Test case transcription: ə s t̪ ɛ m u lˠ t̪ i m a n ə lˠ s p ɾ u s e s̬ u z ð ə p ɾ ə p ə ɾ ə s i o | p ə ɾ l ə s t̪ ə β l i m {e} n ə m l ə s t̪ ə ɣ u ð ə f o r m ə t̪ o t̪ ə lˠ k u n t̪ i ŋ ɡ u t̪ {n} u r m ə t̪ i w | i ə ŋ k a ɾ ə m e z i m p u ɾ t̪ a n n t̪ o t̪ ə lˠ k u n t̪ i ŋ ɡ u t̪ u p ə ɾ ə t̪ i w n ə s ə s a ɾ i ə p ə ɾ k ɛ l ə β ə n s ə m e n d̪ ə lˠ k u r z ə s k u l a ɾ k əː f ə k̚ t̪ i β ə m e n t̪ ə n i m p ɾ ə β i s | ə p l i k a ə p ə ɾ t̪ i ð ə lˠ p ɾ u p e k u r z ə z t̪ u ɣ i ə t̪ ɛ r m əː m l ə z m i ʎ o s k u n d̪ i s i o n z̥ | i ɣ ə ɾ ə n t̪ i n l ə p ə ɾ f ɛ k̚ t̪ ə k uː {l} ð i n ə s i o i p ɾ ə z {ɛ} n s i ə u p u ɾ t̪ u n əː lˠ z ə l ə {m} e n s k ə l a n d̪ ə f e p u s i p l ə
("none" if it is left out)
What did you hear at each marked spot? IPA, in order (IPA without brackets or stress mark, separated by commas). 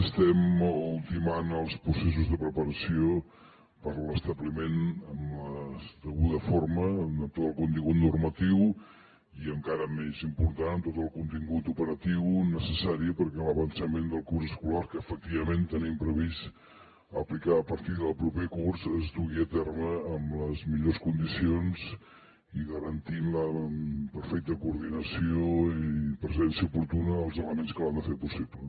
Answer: e, n, ɾ, ɛ, m